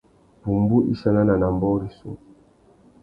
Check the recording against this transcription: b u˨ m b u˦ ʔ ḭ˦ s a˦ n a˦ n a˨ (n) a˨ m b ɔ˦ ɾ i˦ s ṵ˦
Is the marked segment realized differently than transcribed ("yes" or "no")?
no